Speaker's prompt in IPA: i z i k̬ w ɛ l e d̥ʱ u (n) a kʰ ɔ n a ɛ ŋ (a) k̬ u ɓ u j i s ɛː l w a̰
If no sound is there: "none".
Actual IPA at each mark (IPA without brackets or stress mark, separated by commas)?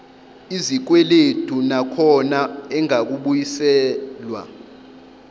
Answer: n, a